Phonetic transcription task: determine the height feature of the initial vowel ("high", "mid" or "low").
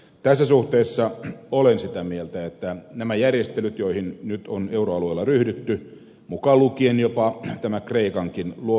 low